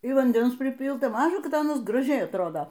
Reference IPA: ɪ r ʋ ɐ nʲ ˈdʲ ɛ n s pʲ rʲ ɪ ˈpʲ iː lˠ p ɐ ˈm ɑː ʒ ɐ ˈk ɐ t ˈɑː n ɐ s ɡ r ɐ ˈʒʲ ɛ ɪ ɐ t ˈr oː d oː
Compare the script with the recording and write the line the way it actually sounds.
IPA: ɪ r ʋ ɐ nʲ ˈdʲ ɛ n s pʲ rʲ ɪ ˈpʲ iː lˠ t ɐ ˈm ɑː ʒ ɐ ˈk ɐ t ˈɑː n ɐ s ɡ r ɐ ˈʒʲ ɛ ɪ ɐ t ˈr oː d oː